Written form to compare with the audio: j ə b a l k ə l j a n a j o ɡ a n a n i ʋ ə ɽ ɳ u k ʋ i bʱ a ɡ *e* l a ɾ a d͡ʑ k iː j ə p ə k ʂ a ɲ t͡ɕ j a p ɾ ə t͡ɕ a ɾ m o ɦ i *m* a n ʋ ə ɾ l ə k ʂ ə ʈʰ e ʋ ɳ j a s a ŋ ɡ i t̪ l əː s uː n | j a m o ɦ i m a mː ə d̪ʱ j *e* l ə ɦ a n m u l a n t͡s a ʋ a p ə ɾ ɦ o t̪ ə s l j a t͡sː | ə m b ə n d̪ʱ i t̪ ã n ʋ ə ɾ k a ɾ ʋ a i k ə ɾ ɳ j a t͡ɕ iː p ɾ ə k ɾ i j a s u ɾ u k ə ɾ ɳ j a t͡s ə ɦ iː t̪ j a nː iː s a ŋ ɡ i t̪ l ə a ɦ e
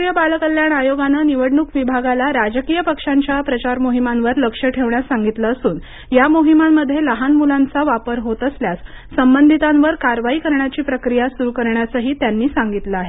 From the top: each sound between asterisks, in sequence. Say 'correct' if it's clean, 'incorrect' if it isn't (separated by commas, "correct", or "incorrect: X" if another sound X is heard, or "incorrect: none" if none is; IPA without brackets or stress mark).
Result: incorrect: a, correct, correct